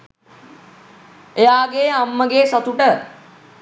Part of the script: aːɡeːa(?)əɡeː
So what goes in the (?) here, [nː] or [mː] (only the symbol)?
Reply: mː